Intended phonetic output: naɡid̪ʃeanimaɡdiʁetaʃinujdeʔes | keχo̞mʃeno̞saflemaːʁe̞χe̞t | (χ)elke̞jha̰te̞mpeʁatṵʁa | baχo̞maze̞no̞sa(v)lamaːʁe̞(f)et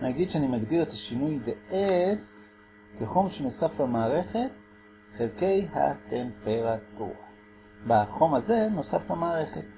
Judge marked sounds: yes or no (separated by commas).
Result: yes, no, no